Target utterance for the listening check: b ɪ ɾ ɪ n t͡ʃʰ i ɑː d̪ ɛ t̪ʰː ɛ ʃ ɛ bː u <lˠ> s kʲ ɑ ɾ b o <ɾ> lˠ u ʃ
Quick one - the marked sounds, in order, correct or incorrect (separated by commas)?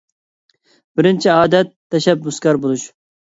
incorrect, incorrect